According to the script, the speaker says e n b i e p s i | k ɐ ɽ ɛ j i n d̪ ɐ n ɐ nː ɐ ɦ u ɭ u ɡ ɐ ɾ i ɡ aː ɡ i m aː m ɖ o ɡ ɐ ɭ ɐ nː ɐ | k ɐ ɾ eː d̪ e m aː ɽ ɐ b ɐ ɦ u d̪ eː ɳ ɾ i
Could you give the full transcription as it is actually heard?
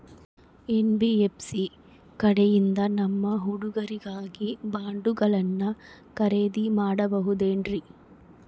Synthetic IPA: e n b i e p s i | k ɐ ɽ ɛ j i n d̪ ɐ n ɐ mː ɐ ɦ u ɽ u ɡ ɐ ɾ i ɡ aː ɡ i b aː ɳ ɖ u ɡ ɐ ɭ ɐ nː ɐ | k ɐ ɾ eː d̪ i m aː ɽ ɐ b ɐ ɦ u d̪ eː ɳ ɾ i